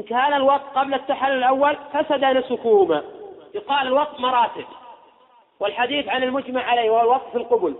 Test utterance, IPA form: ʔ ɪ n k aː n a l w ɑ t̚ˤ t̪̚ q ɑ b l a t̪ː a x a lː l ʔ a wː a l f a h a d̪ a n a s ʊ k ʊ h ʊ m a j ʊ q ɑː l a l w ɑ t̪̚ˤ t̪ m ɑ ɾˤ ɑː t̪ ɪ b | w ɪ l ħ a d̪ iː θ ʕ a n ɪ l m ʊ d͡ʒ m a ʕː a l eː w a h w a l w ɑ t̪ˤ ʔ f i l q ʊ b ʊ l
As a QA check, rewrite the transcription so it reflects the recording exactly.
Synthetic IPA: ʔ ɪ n k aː n a l w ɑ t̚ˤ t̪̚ q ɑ b l a t̪ː a ħ a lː l ʔ a wː a l f a s a d̪ a n a s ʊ k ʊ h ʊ m a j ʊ q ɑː l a l w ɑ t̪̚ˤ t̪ m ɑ ɾˤ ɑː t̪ ɪ b | w ɪ l ħ a d̪ iː θ ʕ a n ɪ l m ʊ d͡ʒ m a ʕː a l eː w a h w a l w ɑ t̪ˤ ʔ f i l q ʊ b ʊ l